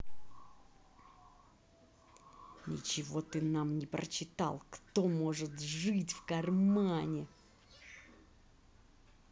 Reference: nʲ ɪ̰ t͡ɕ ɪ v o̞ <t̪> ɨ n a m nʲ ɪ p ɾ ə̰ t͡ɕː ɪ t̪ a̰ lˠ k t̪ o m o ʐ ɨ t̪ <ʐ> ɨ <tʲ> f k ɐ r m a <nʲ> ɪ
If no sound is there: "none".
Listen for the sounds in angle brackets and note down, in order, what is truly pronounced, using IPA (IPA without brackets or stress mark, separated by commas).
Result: t̪, ʐ, tʲ, nʲ